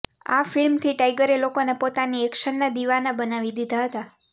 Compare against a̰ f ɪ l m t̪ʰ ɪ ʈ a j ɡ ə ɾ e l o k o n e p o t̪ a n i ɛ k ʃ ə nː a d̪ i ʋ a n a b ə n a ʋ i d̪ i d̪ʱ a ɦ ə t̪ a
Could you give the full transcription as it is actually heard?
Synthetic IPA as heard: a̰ f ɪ l m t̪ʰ i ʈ a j ɡ ə ɾ e l o k o n e p o t̪ a n i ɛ k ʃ ə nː a d̪ i ʋ a n a b ə n a ʋ i d̪ i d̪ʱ a ɦ ə t̪ a